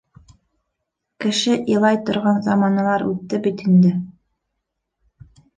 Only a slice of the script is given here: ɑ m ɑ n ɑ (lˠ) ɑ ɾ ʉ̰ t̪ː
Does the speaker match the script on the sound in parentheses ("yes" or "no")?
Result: yes